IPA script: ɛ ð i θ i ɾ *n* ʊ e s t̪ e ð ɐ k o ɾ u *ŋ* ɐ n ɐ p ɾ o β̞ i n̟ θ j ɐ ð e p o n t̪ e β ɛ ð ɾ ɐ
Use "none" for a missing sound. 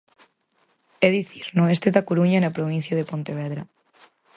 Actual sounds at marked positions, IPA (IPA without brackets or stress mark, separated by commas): n, ɲ